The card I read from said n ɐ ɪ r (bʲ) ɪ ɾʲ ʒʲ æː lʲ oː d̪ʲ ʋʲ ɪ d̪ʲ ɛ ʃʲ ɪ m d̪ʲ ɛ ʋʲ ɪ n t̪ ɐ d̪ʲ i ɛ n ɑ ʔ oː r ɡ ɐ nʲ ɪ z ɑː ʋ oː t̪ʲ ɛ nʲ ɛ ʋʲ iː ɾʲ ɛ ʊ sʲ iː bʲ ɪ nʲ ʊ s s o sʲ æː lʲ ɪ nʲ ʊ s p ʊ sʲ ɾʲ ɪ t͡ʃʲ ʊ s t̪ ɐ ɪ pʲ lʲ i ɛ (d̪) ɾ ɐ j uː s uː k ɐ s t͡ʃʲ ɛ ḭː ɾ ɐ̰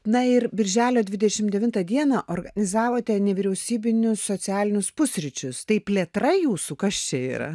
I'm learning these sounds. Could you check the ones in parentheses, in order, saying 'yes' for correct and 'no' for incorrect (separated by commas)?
yes, no